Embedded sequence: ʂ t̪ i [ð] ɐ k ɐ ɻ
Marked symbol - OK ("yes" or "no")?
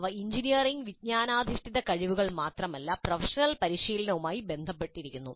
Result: yes